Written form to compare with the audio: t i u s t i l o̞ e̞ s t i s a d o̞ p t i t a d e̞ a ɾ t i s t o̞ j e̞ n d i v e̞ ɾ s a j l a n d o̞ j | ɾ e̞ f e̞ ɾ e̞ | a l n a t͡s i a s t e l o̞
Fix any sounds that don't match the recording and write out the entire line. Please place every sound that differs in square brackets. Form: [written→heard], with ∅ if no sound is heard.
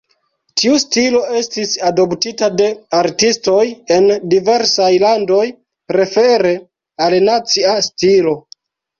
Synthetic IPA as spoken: t i u s t i l o̞ e̞ s t i s a d o̞ p t i t a d e̞ a ɾ t i s t o̞ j e̞ n d i v e̞ ɾ s a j l a n d o̞ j | ɾ e̞ f e̞ ɾ e̞ | a l n a t͡s i a s t [e→i] l o̞